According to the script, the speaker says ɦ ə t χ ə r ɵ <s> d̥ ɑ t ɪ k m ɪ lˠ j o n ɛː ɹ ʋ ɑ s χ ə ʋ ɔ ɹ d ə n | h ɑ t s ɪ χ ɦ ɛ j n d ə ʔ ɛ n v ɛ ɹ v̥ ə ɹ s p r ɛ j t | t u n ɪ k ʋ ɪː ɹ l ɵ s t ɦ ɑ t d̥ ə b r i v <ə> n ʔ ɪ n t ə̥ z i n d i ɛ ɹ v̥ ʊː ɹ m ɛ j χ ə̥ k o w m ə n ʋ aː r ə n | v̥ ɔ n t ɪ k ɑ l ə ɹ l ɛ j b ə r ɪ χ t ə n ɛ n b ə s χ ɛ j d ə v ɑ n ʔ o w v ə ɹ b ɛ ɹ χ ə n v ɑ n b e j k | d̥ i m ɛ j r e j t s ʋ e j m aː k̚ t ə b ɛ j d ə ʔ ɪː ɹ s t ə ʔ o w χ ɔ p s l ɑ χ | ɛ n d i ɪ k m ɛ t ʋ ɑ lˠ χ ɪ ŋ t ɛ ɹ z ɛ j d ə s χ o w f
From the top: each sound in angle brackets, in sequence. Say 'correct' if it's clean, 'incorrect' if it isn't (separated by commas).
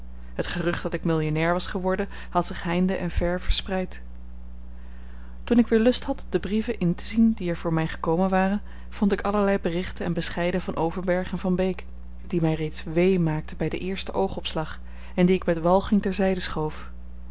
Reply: incorrect, correct